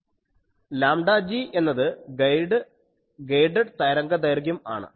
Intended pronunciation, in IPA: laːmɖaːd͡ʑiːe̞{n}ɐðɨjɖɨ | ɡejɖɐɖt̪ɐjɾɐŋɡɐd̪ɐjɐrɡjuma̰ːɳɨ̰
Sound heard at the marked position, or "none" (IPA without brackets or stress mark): nː